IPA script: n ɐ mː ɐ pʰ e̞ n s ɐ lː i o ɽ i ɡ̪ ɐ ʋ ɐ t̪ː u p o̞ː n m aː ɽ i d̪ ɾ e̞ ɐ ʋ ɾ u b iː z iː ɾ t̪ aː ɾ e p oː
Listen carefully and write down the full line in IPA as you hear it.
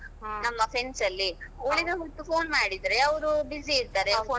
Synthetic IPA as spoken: n ɐ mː ɐ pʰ e̞ n s ɐ lː i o ɭ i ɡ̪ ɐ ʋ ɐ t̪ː u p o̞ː n m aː ɽ i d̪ ɾ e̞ ɐ ʋ ɾ u b i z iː ɾ t̪ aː ɾ e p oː